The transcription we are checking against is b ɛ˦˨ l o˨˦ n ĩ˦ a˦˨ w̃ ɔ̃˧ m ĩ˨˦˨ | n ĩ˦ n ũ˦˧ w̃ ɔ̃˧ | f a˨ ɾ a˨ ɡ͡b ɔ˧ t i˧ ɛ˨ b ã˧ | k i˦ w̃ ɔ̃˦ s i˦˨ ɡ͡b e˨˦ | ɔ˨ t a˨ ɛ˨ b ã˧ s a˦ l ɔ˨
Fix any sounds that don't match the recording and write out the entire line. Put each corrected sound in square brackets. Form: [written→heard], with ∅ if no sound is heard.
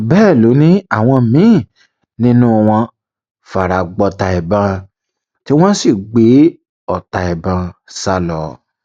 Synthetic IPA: b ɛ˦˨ l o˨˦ n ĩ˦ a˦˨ w̃ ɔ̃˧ m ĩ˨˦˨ | n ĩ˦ n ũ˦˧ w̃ ɔ̃˧ | f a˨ ɾ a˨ ɡ͡b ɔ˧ t [i˧→a˧] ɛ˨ b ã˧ | [k→t] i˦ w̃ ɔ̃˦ s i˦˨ ɡ͡b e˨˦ | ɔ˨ t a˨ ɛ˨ b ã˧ s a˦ l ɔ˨